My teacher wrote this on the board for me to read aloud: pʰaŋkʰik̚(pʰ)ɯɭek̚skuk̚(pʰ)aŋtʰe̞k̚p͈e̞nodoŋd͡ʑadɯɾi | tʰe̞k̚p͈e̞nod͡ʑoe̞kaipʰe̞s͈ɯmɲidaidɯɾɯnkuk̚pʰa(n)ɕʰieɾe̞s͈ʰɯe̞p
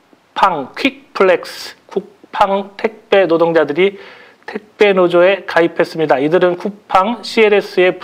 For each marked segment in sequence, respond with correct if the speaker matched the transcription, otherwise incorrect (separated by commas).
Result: correct, correct, incorrect